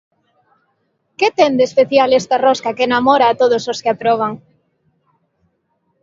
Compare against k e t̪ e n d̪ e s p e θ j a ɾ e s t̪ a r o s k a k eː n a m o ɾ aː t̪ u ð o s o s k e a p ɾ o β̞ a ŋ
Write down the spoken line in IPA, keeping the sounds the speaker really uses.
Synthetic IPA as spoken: k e t̪ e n d̪ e s p e θ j a l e s t̪ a r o s k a k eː n a m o ɾ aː t̪ o ð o s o s k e a p ɾ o β̞ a ŋ